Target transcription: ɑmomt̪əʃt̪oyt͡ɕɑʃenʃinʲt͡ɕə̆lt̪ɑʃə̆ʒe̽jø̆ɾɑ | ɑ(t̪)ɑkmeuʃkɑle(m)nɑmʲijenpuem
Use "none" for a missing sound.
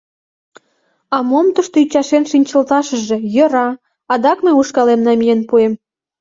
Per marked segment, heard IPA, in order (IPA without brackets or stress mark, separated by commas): d̪, m